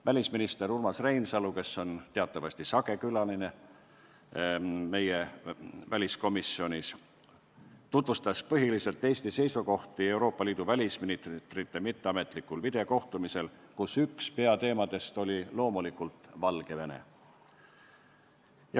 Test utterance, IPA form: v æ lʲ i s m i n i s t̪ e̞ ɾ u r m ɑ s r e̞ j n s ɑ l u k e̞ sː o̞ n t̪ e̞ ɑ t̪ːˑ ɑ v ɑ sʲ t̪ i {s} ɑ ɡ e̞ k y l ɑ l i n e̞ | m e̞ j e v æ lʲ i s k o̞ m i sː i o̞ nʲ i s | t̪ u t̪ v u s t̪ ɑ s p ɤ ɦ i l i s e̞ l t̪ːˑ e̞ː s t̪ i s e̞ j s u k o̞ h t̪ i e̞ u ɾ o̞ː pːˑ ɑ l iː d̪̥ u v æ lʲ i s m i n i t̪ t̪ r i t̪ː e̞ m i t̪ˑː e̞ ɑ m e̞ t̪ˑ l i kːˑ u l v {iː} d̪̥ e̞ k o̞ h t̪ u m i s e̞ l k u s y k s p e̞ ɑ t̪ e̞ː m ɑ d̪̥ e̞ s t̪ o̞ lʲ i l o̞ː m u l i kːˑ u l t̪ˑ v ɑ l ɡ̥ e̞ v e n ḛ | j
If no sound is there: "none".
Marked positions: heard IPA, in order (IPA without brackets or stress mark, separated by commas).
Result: s, i